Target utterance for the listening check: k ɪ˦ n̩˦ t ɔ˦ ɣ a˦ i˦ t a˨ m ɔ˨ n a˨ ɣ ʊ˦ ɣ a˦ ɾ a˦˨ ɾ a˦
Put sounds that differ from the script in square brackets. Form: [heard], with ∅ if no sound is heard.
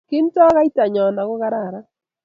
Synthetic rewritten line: k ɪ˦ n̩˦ t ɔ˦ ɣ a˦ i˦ t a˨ [ɲ] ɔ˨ n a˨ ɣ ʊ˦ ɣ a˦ ɾ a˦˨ ɾ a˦